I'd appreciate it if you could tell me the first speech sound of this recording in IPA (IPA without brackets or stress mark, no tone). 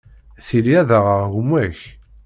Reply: θ